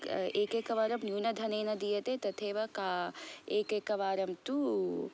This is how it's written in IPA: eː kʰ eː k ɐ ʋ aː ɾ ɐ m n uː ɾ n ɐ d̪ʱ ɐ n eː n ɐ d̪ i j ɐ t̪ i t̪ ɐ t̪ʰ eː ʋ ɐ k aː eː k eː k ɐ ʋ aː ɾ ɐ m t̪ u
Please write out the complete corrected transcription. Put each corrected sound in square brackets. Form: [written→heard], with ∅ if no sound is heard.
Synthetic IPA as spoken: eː [kʰ→k] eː k ɐ ʋ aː ɾ ɐ m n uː [ɾ→∅] n ɐ d̪ʱ ɐ n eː n ɐ d̪ i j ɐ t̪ [i→e] t̪ ɐ t̪ʰ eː ʋ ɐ k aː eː k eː k ɐ ʋ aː ɾ ɐ m t̪ u